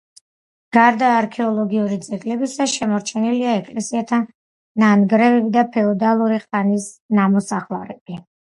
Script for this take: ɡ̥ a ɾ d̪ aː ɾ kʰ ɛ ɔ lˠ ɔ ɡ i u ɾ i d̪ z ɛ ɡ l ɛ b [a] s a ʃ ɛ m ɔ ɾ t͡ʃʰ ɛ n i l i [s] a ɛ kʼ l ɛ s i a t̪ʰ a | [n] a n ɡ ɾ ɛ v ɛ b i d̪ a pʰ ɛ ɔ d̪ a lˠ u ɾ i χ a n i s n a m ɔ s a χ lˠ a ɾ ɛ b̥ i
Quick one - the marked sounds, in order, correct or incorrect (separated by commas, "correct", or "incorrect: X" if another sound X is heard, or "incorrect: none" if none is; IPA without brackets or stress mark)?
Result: incorrect: i, incorrect: none, correct